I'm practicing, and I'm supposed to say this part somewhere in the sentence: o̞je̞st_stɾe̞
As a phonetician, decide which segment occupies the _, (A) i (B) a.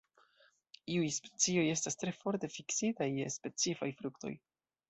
B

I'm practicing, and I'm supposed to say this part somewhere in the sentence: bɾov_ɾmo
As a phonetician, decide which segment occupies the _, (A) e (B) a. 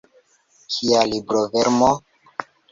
A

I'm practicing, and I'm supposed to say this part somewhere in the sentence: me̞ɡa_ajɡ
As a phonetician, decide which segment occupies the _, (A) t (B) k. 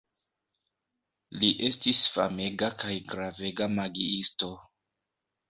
B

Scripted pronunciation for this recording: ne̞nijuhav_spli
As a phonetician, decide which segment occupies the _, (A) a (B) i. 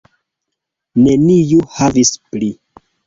B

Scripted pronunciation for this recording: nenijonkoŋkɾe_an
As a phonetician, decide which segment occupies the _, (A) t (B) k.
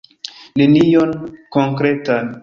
A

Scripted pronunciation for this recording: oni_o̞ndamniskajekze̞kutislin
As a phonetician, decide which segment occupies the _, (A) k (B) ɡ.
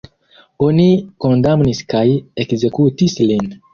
A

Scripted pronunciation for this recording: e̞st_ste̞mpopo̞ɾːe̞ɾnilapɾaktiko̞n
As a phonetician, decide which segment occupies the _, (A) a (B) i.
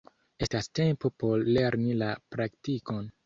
A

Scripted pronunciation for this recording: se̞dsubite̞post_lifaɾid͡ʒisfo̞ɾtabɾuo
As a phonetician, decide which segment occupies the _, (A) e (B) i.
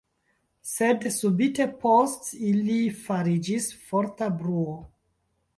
B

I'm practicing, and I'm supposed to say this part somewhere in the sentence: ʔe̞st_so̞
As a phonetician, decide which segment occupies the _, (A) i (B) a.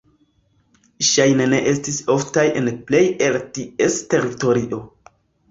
A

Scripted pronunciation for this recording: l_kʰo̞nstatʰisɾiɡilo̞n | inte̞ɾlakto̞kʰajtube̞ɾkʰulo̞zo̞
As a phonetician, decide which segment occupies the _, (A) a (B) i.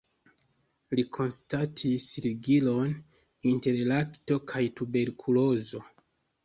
B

